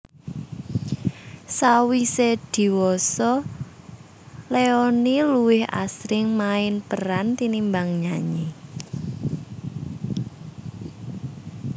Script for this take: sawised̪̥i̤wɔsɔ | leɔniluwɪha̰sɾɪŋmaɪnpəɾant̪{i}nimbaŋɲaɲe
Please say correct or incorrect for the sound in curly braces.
correct